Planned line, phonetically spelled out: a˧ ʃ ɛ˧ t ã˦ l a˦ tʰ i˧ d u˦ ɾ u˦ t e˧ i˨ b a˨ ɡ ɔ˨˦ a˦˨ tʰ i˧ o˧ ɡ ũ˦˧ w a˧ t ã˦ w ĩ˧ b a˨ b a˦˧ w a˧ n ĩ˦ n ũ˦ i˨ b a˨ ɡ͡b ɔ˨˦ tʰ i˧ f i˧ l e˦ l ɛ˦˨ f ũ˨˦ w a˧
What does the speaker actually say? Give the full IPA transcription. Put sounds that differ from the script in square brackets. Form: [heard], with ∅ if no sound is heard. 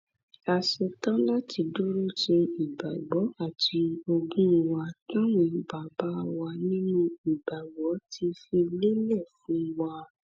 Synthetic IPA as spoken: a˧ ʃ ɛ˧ t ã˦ l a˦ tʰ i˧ d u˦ ɾ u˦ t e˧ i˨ b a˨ [ɡ͡b] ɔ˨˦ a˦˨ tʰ i˧ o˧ ɡ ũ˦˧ w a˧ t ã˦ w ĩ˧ b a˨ b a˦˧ w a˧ n ĩ˦ n ũ˦ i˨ b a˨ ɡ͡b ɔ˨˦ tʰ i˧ f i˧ l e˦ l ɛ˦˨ f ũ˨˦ w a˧